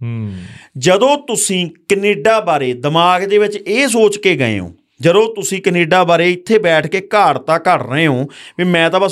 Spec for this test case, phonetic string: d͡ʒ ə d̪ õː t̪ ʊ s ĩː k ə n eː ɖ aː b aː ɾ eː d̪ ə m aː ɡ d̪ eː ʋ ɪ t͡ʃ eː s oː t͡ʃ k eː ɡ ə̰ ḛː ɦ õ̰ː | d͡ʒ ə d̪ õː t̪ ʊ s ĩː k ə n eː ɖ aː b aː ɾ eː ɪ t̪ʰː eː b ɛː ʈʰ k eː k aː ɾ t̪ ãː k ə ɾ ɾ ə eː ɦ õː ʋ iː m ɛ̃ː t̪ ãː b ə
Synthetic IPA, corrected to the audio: d͡ʒ ə d̪ õː t̪ ʊ s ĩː k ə n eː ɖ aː b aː ɾ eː d̪ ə m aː ɡ d̪ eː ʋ ɪ t͡ʃ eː s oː t͡ʃ k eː ɡ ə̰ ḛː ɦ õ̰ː | d͡ʒ ə d̪ õː t̪ ʊ s ĩː k ə n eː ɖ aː b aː ɾ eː ɪ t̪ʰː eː b ɛː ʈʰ k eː k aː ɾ t̪ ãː k ə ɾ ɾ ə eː ɦ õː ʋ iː m ɛ̃ː t̪ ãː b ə